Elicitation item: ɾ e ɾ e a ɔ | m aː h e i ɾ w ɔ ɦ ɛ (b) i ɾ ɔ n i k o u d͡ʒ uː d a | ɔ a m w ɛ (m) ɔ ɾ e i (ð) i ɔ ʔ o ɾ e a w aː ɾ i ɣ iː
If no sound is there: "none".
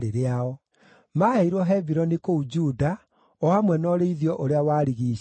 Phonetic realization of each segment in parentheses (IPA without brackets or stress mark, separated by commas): v, n, ð